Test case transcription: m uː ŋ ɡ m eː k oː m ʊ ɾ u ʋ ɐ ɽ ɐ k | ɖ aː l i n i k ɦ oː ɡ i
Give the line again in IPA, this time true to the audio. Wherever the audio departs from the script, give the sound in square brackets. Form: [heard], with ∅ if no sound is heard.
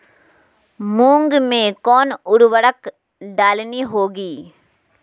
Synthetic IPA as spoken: m uː ŋ ɡ m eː k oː [n] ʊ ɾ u ʋ ɐ ɽ ɐ k | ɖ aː l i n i [∅] ɦ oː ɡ i